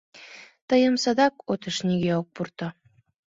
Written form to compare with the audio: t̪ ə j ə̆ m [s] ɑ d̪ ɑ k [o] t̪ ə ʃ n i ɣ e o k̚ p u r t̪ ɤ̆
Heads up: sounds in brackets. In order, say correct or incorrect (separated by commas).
correct, correct